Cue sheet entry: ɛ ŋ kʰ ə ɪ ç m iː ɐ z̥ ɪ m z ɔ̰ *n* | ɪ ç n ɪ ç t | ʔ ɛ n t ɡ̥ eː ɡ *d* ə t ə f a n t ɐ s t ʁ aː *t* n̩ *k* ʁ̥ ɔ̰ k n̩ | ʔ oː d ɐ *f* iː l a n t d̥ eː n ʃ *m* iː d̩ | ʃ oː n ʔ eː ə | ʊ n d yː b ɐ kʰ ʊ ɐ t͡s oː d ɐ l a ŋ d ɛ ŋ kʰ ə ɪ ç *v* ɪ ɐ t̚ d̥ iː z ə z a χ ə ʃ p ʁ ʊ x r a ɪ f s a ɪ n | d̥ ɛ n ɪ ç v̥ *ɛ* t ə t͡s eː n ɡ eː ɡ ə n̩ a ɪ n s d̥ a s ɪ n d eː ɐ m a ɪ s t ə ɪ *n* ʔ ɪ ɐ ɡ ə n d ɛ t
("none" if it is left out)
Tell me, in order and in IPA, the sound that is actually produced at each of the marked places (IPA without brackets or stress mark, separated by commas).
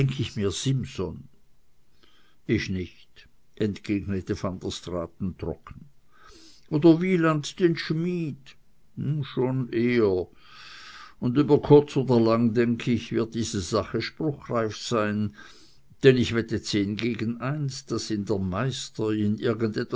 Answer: n, n, t, t, v, m, v, ɛ, n